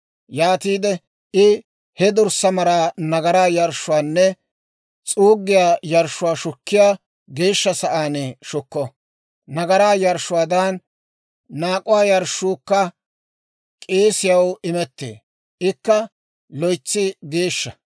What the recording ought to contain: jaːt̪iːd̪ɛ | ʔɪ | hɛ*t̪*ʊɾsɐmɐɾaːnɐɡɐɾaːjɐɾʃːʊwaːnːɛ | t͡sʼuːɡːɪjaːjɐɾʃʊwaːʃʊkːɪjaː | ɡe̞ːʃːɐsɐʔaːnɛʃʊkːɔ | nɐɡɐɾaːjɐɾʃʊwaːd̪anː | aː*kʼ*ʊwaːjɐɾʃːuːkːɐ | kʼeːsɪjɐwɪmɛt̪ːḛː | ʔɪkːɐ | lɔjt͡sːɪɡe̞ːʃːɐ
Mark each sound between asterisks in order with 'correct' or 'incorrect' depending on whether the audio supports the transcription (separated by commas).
incorrect, correct